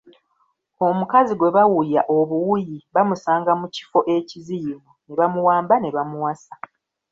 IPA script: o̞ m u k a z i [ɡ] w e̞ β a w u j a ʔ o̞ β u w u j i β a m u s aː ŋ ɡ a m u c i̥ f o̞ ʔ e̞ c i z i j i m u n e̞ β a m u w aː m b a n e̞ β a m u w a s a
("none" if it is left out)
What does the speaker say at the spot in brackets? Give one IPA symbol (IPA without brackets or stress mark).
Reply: ɡ